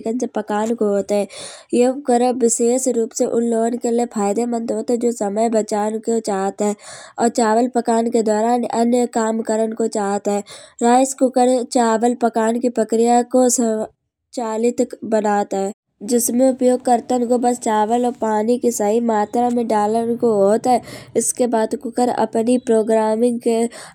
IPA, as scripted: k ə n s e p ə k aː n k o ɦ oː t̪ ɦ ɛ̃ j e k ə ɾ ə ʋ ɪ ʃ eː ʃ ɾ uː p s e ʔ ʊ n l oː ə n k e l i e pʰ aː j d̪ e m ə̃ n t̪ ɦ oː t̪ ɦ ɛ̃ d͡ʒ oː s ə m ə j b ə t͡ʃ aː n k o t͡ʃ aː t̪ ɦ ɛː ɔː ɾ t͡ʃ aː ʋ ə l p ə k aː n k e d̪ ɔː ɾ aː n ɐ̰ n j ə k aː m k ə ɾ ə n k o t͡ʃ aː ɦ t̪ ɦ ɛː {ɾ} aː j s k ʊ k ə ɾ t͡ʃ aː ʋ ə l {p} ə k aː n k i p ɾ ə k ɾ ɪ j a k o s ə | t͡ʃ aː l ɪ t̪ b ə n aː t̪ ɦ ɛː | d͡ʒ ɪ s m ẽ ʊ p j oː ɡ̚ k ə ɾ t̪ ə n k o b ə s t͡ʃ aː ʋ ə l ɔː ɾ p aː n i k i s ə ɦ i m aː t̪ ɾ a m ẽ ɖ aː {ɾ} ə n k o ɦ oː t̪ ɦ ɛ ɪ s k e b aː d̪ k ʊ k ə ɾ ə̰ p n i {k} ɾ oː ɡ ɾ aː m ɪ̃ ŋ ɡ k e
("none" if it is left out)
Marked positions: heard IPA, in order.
ɾ, p, l, p

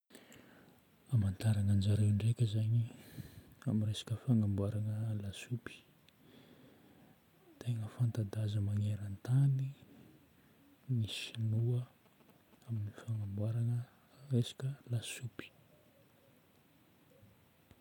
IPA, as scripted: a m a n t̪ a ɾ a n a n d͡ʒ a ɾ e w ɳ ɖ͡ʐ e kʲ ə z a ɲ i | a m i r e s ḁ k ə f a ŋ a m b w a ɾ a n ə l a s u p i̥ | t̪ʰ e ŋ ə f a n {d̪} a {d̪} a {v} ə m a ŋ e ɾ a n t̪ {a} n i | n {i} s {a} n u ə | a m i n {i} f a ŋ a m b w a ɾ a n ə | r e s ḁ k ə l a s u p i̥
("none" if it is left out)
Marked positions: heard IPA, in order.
t̪, d̪, z, a, i, i, i

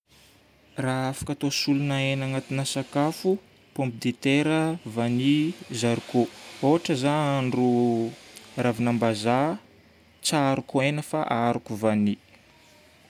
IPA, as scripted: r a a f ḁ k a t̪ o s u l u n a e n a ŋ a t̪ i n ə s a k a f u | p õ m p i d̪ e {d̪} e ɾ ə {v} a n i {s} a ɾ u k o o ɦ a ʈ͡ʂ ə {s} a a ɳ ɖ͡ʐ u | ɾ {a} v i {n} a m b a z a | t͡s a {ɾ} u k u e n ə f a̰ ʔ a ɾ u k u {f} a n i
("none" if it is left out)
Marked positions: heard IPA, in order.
t̪, v, z, z, a, n, ɾ, v

